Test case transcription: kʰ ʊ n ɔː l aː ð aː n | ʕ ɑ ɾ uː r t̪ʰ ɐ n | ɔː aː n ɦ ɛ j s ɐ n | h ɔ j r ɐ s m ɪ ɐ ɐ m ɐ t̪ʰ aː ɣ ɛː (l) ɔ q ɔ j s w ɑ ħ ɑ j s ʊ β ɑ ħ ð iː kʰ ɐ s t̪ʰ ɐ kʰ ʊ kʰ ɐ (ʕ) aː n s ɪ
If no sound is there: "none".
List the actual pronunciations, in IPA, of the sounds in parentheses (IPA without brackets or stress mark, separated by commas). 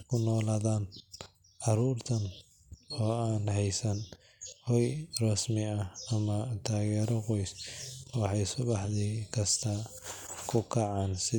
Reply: ɾ, ʕ